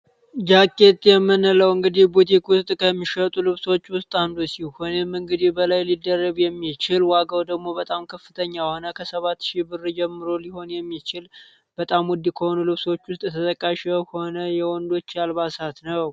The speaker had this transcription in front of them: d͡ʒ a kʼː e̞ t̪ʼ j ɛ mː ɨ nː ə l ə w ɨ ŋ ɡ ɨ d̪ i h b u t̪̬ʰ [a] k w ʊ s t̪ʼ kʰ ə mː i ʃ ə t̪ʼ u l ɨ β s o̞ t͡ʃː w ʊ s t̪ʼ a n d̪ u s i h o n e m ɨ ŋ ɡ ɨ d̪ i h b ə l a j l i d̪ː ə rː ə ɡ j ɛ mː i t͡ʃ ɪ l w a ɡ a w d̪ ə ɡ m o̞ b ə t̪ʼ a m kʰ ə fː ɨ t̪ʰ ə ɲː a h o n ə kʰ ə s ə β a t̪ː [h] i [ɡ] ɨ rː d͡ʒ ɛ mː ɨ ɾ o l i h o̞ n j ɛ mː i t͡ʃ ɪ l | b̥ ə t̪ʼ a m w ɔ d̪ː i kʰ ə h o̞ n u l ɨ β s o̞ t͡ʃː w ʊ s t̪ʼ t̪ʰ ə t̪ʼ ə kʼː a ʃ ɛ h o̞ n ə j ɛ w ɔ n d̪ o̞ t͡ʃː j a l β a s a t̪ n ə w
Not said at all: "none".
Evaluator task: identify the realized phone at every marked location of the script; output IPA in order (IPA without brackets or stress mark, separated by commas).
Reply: i, ʃ, b